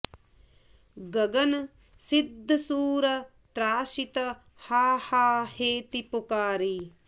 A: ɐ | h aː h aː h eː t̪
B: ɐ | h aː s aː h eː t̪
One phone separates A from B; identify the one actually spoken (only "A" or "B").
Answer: A